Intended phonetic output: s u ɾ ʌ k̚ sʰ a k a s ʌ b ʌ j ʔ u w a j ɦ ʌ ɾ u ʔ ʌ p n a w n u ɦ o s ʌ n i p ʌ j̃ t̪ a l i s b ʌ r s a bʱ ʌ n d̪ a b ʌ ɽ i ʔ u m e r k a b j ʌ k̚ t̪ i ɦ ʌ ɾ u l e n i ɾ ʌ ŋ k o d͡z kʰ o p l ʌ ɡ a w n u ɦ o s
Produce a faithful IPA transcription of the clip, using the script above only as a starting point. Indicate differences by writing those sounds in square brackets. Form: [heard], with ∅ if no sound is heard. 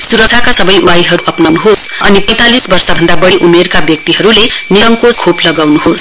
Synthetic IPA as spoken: s u ɾ ʌ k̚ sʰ a k a s ʌ b ʌ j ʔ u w a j ɦ ʌ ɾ u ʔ ʌ p n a w n u ɦ o s ʌ n i p ʌ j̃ t̪ a l i s b ʌ r s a bʱ ʌ n d̪ a b ʌ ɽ i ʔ u m e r k a b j ʌ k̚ t̪ i ɦ ʌ ɾ u l e n i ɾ ʌ ŋ k o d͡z kʰ o p l ʌ ɡ a w n u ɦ o s

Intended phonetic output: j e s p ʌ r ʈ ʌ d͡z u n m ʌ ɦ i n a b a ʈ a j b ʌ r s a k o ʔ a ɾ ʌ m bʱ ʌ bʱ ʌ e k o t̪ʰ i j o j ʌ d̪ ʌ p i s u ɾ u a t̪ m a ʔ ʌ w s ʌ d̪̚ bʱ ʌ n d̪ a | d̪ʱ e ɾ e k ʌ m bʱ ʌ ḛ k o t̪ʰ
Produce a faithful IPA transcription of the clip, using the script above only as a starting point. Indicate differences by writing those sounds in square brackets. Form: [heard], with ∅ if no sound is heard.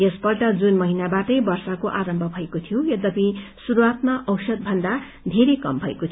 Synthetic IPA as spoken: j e s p ʌ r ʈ ʌ d͡z u n m ʌ ɦ i n a b a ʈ [ʌ] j b ʌ r s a k o ʔ a ɾ ʌ m bʱ ʌ bʱ ʌ e k o t̪ʰ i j o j ʌ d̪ ʌ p i s u ɾ u a t̪ m a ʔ ʌ w s ʌ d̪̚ bʱ ʌ n d̪ a | d̪ʱ e ɾ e k ʌ m bʱ ʌ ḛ k o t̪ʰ

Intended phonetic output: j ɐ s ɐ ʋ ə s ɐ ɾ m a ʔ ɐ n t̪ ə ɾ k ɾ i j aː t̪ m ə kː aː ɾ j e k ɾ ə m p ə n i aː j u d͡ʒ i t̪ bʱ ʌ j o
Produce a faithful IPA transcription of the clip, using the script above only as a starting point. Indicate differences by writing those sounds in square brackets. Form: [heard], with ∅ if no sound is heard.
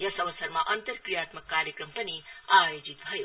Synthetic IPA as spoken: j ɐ s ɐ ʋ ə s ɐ ɾ m a ʔ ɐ n t̪ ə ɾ k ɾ i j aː t̪ m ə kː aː ɾ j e k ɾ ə m p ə n i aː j [o] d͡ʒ i t̪ bʱ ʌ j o

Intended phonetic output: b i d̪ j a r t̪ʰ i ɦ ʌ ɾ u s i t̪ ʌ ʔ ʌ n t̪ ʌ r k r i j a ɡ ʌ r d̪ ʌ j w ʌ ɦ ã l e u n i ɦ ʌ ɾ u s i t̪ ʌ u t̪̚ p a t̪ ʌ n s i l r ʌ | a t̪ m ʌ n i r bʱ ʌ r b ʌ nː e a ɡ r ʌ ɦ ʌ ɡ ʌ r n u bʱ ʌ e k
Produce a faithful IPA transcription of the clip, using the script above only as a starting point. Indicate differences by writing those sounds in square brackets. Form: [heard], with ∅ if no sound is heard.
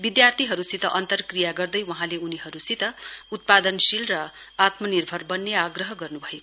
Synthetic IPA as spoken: b i d̪ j a r t̪ʰ i ɦ ʌ ɾ u s i t̪ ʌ ʔ ʌ n t̪ ʌ r k r i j a ɡ ʌ r d̪ ʌ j w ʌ ɦ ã l e u n i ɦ ʌ ɾ u s i t̪ ʌ u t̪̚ p a [d̪] ʌ n s i l r ʌ | a t̪ m ʌ n i r bʱ ʌ r b ʌ nː e a ɡ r ʌ ɦ ʌ ɡ ʌ r n u bʱ ʌ e k

